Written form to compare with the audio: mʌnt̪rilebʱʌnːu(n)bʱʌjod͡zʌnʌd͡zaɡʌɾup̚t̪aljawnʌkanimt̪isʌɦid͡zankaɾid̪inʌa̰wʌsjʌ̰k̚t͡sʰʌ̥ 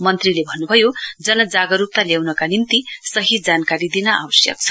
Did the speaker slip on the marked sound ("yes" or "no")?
yes